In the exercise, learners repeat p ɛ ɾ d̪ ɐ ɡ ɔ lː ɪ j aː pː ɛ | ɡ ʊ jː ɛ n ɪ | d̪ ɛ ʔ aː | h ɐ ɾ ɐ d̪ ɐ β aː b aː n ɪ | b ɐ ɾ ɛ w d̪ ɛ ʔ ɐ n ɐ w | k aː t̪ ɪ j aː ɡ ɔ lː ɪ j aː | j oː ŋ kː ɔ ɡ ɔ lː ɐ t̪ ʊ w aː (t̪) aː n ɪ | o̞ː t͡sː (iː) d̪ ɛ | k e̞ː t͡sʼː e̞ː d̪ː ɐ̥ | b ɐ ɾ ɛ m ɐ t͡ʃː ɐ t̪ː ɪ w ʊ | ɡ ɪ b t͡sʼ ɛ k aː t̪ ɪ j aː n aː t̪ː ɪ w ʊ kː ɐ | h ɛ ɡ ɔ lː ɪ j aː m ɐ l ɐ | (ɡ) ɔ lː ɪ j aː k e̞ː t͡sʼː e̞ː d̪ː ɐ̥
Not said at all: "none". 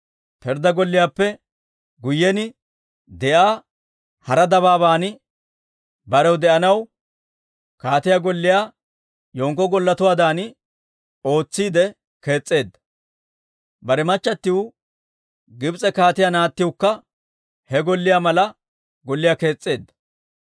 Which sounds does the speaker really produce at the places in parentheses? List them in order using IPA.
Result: d̪, iː, ɡ

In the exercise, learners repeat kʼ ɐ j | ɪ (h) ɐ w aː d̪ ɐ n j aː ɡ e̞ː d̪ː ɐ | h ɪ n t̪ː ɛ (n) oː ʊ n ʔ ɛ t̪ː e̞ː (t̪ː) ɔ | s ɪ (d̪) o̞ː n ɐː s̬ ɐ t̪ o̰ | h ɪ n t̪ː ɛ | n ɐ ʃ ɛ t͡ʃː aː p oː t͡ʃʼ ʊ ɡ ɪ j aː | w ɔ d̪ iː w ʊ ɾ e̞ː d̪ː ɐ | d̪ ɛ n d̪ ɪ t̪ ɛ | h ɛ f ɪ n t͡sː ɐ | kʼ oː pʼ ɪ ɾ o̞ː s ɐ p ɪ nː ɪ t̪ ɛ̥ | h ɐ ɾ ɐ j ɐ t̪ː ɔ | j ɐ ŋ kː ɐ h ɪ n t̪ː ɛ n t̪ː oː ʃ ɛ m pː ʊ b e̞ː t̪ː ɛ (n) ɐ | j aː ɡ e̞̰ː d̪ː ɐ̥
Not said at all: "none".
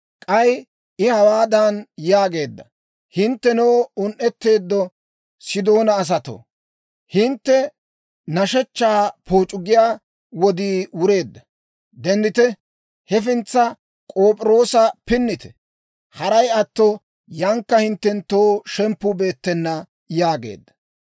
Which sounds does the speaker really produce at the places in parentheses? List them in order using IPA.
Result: h, n, d̪ː, d̪, nː

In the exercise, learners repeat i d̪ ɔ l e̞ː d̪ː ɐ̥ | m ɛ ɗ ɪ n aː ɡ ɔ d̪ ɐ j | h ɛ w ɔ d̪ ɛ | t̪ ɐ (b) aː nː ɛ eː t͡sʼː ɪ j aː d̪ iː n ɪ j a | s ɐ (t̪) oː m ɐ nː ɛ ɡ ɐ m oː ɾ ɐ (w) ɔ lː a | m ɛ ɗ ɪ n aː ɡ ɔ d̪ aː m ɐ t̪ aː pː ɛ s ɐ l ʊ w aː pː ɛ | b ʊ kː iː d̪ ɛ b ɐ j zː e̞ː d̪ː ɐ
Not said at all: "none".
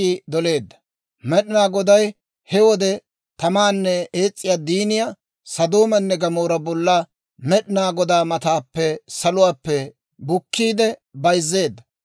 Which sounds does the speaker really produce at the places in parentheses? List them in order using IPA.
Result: m, d̪, b

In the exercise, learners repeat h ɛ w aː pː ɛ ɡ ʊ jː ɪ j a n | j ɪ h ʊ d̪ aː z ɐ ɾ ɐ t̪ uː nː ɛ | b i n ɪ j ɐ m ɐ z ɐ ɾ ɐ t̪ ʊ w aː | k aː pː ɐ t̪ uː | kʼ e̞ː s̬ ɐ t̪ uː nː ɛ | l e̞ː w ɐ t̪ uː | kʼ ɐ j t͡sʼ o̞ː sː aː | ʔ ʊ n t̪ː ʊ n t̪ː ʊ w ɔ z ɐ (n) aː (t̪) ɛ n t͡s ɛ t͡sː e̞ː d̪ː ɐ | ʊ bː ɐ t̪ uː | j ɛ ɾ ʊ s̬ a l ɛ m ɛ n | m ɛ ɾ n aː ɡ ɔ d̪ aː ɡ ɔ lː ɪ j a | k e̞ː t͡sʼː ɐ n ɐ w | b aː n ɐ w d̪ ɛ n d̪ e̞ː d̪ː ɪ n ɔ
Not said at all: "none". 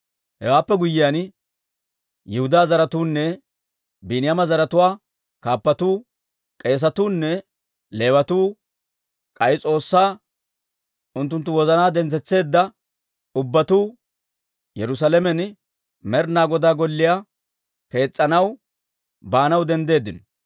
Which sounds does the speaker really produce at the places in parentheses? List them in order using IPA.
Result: n, d̪

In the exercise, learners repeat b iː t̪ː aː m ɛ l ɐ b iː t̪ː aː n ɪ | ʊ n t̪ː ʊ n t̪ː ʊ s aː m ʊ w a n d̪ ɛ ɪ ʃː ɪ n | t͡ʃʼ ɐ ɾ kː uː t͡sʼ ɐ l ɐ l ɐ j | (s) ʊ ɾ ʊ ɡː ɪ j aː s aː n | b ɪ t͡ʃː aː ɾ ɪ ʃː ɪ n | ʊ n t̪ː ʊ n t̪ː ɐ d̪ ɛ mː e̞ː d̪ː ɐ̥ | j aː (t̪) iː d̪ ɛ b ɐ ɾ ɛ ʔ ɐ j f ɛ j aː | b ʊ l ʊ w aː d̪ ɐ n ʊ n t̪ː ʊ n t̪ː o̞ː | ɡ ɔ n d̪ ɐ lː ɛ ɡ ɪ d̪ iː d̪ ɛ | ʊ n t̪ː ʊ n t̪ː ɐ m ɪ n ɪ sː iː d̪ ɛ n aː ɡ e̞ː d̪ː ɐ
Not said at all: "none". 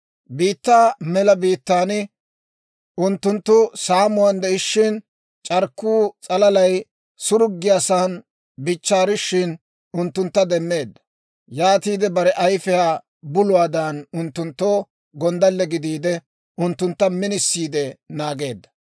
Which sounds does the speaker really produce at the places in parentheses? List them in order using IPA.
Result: s, t̪

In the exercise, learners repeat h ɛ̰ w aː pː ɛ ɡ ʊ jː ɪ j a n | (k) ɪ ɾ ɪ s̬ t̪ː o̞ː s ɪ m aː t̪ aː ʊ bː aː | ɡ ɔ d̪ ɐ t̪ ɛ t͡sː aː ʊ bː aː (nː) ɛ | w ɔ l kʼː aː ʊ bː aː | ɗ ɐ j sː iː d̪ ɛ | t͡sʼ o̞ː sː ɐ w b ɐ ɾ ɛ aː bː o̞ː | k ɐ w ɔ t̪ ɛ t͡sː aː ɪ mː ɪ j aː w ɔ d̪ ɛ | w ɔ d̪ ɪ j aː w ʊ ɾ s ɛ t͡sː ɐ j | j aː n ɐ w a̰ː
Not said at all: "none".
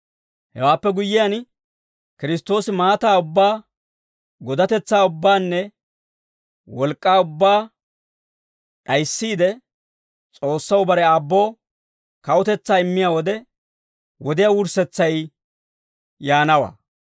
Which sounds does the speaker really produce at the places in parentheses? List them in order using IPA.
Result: k, nː

